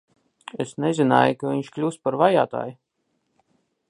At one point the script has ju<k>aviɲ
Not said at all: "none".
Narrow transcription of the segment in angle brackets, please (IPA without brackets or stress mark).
k